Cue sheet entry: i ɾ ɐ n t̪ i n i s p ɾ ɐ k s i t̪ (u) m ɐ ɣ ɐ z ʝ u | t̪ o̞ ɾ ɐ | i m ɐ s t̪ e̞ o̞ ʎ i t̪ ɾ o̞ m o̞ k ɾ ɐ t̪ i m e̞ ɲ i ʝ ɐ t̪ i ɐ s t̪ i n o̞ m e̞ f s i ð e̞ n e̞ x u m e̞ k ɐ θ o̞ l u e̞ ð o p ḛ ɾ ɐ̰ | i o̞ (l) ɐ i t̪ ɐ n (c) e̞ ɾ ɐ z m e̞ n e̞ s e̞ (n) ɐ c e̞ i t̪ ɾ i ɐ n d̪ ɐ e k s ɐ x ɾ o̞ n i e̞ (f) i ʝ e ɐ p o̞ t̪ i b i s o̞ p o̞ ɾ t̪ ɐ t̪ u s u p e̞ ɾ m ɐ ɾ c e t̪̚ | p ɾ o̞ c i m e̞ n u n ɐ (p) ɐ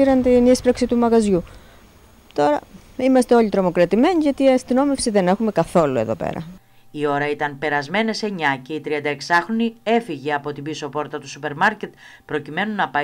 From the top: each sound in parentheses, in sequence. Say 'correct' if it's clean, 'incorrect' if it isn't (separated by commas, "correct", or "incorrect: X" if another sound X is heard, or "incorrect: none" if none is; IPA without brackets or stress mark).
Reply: correct, incorrect: ɾ, incorrect: p, incorrect: ɲ, correct, correct